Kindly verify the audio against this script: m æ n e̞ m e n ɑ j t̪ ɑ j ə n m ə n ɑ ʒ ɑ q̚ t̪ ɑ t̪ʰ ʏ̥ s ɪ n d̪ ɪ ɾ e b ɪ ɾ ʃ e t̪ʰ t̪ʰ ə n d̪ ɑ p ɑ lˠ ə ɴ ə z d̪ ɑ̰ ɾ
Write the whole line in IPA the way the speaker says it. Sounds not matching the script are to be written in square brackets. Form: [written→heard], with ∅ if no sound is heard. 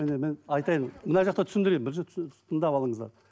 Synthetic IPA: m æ n e̞ m e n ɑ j t̪ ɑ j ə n m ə n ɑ ʒ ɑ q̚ t̪ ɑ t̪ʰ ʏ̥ s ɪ n d̪ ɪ ɾ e b ɪ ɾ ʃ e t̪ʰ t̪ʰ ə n d̪ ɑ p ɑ lˠ ə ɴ ə z d̪ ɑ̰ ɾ